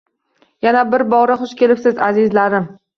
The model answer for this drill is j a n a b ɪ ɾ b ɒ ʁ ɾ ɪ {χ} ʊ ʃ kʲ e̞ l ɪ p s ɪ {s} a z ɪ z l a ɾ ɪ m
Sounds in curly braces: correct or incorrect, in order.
correct, incorrect

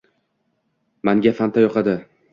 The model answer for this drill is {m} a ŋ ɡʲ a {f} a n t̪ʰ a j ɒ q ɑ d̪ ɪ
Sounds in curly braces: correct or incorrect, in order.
correct, correct

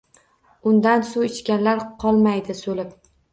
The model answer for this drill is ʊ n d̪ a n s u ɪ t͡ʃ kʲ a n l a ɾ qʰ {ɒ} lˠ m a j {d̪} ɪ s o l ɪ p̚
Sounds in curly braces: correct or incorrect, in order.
correct, correct

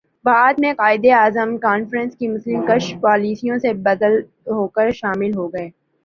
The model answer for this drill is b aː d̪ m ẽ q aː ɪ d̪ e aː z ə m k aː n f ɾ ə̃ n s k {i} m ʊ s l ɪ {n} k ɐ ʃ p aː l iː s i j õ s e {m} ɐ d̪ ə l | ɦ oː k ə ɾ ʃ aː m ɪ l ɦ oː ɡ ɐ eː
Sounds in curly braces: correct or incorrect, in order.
correct, incorrect, incorrect

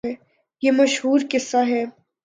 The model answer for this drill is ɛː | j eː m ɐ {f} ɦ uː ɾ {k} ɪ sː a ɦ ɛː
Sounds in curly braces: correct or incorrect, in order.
incorrect, correct

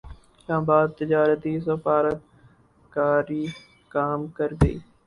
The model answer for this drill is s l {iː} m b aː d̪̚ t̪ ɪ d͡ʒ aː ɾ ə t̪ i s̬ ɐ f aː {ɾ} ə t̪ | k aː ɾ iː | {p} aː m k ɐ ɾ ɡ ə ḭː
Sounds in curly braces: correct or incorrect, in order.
incorrect, correct, incorrect

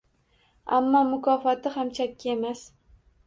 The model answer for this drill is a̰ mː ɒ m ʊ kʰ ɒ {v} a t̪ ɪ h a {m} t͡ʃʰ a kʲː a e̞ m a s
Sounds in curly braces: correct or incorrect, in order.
incorrect, correct

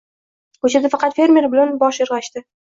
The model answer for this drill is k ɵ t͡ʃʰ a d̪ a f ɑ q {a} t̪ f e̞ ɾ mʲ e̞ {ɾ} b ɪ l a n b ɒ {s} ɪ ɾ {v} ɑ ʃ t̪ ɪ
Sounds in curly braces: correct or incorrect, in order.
incorrect, correct, incorrect, incorrect

